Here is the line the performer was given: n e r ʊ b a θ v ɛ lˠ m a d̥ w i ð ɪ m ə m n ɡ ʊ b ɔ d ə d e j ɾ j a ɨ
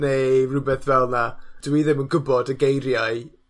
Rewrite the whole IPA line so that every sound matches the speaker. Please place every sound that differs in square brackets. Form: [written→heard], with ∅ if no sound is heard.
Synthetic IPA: n e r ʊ b [a→ɛ] θ v ɛ lˠ [m→n] a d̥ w i ð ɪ m ə [m→∅] n ɡ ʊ b ɔ d ə [d→ɡ] e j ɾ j a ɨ